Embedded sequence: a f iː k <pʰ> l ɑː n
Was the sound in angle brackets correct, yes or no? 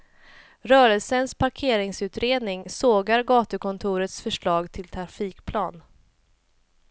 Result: yes